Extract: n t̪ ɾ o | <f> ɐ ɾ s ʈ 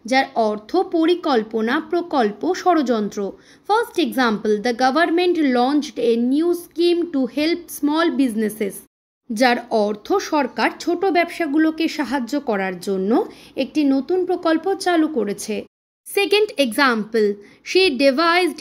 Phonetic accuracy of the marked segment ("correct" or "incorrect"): correct